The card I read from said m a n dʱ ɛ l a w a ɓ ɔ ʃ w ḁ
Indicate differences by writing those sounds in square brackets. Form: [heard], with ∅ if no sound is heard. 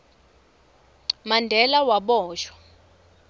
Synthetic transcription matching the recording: m a n dʱ ɛ l a w a ɓ [ɔː] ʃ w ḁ